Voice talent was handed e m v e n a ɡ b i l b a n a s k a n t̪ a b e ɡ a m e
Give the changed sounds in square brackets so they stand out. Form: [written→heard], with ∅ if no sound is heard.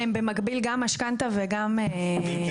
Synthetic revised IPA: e m [v→b] e [n→m] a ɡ b i l [b→ɡ] a [n→m] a [s→ʃ] k a n t̪ a [b→v] e ɡ a m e